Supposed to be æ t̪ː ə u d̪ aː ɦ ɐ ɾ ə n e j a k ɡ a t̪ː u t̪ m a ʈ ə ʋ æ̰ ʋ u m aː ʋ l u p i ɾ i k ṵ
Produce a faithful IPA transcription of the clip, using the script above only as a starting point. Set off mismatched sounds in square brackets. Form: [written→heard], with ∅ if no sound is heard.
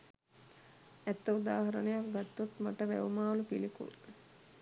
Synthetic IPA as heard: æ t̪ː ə u d̪ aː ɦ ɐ ɾ ə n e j a k ɡ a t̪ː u t̪ m a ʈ ə ʋ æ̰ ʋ u m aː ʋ l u p i [ɾ→l] i k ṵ